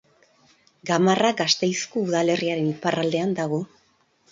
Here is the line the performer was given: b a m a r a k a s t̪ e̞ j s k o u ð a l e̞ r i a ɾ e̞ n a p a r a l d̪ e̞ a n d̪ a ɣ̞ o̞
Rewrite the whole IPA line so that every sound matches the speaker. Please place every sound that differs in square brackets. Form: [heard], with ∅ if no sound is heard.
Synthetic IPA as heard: [ɡ] a m a r a [ɡ] a s t̪ e̞ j s k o u ð a l e̞ r i a ɾ e̞ n [i] p a r a l d̪ e̞ a n d̪ a ɣ̞ o̞